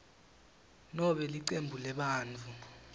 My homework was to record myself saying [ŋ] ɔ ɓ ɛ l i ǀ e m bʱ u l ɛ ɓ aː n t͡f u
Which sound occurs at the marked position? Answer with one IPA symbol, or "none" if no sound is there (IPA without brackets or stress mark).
n